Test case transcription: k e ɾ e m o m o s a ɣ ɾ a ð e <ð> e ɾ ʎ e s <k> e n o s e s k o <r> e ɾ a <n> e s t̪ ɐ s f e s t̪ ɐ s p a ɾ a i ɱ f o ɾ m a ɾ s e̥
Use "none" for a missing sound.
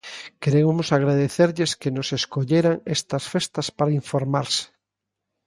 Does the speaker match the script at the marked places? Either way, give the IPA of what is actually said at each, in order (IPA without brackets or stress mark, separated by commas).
θ, k, ʎ, ŋ